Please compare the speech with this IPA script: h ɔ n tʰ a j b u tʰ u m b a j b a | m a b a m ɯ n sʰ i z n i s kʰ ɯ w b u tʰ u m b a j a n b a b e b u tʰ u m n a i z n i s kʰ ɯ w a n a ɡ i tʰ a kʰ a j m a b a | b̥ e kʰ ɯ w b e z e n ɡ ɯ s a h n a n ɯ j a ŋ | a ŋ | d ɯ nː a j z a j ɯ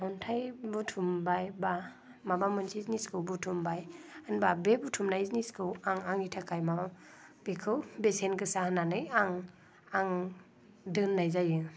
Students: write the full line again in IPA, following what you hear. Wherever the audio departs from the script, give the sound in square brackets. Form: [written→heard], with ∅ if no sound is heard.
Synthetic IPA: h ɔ n tʰ a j b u tʰ u m b a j b a | m a b a m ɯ n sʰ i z n i s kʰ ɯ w b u tʰ u m b a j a n b a b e b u tʰ u m n a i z n i s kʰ ɯ w a [n→ŋ] a [ɡ→ŋ] i tʰ a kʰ a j m a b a | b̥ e kʰ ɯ w b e [z→s] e n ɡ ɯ s a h n a n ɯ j a ŋ | a ŋ | d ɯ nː a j z a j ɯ